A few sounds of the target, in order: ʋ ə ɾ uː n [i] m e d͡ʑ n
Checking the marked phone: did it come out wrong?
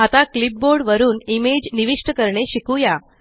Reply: no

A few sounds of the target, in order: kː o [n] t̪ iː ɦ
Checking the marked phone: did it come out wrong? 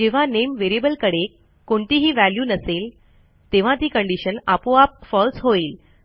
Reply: yes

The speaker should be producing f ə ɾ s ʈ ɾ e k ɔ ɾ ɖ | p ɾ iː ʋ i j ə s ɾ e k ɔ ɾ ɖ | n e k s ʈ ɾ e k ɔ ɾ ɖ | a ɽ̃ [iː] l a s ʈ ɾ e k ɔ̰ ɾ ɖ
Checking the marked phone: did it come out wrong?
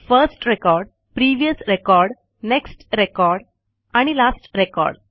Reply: yes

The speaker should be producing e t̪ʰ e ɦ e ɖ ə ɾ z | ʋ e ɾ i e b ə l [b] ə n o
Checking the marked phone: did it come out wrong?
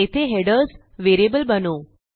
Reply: no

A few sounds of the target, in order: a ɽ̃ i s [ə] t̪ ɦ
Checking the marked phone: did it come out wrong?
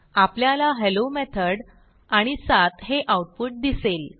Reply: yes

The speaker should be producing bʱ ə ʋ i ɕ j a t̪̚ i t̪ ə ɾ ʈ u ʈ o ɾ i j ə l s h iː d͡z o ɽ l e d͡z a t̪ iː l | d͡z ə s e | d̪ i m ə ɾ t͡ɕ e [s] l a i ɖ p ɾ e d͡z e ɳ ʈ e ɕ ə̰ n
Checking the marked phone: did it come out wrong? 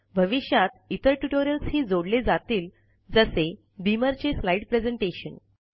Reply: no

